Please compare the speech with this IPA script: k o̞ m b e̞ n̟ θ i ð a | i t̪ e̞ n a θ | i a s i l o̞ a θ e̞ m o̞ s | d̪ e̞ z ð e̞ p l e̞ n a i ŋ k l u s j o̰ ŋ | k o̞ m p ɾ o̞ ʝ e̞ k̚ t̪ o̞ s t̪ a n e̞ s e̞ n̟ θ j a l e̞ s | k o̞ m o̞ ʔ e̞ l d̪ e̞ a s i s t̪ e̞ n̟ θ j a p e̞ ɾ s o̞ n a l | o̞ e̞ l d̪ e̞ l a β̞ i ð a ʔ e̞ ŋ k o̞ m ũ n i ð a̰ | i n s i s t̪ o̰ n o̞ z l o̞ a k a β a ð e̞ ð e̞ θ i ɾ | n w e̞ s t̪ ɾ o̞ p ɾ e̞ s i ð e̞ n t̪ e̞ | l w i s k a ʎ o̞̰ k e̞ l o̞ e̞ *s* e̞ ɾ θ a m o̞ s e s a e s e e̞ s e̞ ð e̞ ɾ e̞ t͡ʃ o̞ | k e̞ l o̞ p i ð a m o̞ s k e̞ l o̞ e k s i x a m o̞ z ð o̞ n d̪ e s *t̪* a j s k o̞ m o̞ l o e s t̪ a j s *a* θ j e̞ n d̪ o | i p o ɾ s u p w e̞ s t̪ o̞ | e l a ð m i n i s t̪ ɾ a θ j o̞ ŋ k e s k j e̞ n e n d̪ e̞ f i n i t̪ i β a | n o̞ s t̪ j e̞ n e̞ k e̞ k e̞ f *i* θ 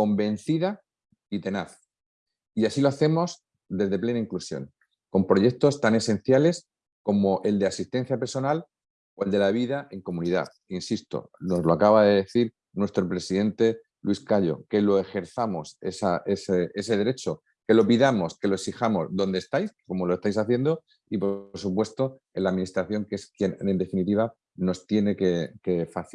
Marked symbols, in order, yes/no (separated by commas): no, yes, yes, no